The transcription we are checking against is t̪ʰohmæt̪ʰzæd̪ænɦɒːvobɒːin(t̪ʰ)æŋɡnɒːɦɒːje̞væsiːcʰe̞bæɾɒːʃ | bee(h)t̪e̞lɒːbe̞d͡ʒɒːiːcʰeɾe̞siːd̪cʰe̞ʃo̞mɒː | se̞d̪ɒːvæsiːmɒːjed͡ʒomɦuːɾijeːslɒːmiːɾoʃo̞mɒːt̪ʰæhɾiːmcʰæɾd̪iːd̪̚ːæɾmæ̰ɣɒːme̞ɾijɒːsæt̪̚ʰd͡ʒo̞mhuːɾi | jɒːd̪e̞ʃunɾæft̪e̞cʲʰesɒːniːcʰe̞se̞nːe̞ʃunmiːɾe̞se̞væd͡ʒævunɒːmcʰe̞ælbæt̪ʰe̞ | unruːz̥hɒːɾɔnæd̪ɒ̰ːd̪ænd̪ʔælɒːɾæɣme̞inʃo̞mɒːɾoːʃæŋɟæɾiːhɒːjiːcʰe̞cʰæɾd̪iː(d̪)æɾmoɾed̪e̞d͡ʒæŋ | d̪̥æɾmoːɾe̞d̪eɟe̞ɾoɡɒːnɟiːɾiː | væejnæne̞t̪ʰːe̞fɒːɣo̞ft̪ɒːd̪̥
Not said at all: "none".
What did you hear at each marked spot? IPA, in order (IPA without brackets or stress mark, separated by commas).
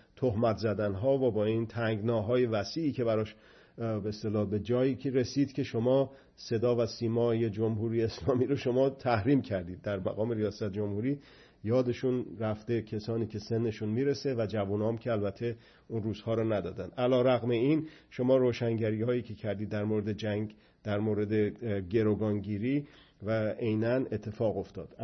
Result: t̪ʰ, s, d̪ː